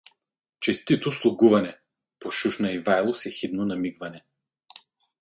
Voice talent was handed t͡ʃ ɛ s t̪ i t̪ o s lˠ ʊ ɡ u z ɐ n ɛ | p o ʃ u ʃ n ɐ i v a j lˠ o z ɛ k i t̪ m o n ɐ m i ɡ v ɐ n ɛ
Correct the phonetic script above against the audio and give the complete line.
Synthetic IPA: t͡ʃ ɛ s t̪ i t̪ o s lˠ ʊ ɡ u v ɐ n ɛ | p o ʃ u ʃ n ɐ i v a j lˠ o s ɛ x i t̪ n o n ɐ m i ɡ v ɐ n ɛ